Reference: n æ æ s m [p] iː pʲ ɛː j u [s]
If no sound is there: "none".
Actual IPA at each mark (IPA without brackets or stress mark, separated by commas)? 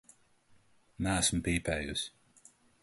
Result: p, s